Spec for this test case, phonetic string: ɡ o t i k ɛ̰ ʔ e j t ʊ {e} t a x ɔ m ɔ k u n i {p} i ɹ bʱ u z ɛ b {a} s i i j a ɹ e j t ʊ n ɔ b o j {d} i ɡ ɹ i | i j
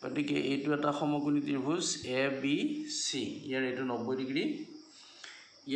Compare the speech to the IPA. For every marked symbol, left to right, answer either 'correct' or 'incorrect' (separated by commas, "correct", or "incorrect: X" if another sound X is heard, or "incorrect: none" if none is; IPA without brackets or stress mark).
incorrect: ɛ, incorrect: t, incorrect: i, correct